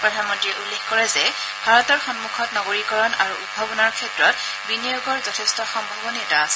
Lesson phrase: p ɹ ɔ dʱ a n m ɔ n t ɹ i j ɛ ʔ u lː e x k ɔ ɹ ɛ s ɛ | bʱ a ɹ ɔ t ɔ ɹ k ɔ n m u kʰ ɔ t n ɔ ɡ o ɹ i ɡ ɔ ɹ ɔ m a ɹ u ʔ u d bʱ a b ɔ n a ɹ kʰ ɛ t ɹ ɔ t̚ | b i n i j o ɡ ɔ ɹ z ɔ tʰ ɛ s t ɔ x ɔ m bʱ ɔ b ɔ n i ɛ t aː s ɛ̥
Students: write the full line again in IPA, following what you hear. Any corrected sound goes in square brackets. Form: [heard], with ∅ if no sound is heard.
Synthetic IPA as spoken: p ɹ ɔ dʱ a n m ɔ n t ɹ i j ɛ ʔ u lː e x k ɔ ɹ ɛ [z] ɛ | bʱ a ɹ ɔ t ɔ ɹ [x] ɔ n m u kʰ ɔ t n ɔ ɡ o ɹ i [k] ɔ ɹ ɔ [n] a ɹ u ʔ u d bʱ a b ɔ n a ɹ kʰ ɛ t ɹ ɔ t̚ | b i n i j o ɡ ɔ ɹ z ɔ tʰ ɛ s t ɔ x ɔ m bʱ ɔ b ɔ n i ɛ t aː s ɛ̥